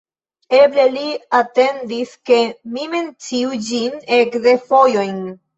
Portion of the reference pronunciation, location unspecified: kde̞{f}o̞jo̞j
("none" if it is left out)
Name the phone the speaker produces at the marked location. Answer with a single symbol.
f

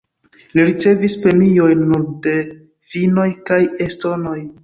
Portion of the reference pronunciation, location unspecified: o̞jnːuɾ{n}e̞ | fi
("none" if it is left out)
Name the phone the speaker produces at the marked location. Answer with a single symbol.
d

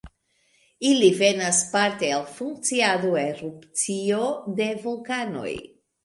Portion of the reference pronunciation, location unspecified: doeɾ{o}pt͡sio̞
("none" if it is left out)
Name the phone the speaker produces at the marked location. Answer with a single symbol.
u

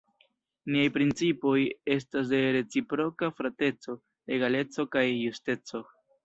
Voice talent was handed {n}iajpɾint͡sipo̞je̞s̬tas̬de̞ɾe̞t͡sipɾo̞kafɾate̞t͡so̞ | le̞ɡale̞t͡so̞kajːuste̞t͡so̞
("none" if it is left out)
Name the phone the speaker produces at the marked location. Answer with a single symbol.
n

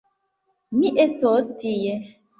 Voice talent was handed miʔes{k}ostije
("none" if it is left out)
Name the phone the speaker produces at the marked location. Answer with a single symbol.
t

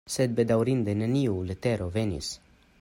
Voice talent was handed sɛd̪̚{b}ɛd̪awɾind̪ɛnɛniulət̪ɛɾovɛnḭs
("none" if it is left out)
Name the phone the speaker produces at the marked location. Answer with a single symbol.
b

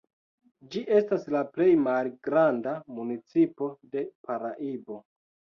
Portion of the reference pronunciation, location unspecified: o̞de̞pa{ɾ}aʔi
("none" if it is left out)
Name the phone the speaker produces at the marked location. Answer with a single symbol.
ɾ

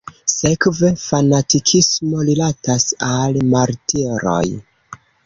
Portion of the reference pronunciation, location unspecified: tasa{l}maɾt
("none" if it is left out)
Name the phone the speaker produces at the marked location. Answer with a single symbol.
l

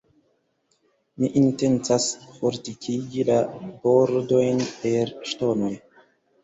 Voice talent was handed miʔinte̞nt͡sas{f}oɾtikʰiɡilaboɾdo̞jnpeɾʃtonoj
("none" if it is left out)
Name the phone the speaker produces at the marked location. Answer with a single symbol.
f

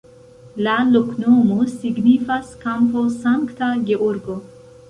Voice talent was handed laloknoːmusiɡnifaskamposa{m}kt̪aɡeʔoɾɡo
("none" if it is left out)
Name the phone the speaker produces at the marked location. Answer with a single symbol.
ŋ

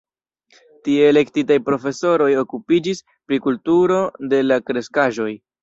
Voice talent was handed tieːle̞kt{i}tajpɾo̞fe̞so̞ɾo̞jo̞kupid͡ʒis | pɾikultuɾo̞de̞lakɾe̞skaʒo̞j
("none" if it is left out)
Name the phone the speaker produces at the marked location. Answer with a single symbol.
i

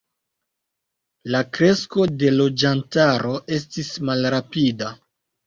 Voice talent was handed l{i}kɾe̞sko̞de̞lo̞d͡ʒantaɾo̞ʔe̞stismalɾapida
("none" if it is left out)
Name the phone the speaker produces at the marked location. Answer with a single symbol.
a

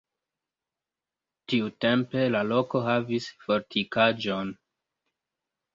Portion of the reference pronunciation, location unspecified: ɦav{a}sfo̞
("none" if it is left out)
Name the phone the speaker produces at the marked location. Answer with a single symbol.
i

